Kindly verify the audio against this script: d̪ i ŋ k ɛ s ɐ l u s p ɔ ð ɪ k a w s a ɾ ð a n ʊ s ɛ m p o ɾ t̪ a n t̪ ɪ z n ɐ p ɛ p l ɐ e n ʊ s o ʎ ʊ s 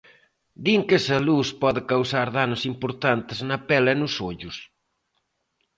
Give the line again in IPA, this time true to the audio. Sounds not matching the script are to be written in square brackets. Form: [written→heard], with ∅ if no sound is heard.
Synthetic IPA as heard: d̪ i ŋ k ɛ s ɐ l u s p ɔ ð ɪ k a w s a ɾ ð a n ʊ s [ɛ→i] m p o ɾ t̪ a n t̪ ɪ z n ɐ p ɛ [p→∅] l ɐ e n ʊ s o ʎ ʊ s